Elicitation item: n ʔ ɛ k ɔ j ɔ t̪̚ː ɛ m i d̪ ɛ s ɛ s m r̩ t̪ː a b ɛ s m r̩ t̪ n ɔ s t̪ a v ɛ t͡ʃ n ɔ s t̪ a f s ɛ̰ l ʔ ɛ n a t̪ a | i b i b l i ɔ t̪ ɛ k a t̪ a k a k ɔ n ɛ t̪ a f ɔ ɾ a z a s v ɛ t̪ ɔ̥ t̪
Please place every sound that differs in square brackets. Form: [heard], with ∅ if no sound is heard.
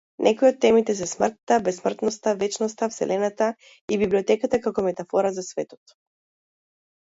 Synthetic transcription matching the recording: n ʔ ɛ k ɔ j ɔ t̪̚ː ɛ m i [t̪] ɛ s ɛ s m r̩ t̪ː a b ɛ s m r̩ t̪ n ɔ s t̪ a v ɛ t͡ʃ n ɔ s t̪ a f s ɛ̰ l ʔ ɛ n a t̪ a | i b i b l i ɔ t̪ ɛ k a t̪ a k a k ɔ [m] ɛ t̪ a f ɔ ɾ a z a s v ɛ t̪ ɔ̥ t̪